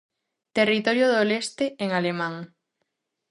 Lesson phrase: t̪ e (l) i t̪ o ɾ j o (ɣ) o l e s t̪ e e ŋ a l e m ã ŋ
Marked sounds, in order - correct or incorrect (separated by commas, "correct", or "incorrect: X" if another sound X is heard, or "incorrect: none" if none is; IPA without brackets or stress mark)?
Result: incorrect: r, incorrect: ð